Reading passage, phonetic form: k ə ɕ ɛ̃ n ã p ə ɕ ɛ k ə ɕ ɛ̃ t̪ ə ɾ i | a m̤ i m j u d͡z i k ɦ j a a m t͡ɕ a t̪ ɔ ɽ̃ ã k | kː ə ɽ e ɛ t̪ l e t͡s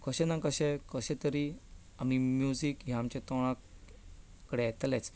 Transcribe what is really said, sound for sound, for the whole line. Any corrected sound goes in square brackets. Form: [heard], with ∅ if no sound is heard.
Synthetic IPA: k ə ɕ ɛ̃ n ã [k] ə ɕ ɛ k ə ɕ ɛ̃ t̪ ə ɾ i | a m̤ i m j u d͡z i k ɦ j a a m t͡ɕ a t̪ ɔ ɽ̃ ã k | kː ə ɽ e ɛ t̪ l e t͡s